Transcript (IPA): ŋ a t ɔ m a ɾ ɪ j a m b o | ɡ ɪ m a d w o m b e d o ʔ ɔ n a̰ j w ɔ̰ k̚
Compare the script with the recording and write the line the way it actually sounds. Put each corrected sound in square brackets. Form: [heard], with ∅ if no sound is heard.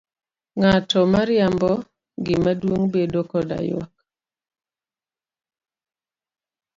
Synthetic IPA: ŋ a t ɔ m a ɾ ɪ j a m b [ɔ] | ɡ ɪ m a d w o [ŋ] b e d o [k] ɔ [d] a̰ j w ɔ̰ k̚